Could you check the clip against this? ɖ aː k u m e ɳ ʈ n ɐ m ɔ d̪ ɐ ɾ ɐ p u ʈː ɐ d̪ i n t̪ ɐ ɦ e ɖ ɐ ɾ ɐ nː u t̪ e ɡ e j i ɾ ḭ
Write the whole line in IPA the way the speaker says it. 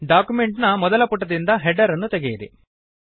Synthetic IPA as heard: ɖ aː k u m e ɳ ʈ n ɐ m ɔ d̪ ɐ l ɐ p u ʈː ɐ d̪ i n d̪ ɐ ɦ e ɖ ɐ ɾ ɐ nː u t̪ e ɡ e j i ɾ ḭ